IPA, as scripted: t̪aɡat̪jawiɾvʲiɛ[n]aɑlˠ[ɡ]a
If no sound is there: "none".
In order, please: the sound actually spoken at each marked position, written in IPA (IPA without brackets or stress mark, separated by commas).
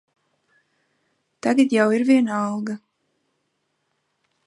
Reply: n, ɡ